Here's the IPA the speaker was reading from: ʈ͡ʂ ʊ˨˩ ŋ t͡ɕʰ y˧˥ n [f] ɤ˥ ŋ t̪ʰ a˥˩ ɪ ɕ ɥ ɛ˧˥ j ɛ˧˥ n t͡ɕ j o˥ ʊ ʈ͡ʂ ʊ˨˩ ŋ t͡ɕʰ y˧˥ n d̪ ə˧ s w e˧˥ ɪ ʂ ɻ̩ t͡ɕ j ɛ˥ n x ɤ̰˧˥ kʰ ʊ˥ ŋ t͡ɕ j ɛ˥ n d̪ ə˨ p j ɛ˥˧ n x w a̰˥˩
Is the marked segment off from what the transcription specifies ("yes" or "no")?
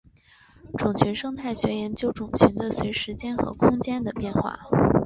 yes